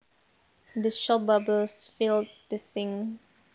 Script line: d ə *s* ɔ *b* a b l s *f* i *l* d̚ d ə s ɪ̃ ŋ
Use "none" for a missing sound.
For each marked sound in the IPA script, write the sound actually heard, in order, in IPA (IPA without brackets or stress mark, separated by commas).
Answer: ʃ, b, f, l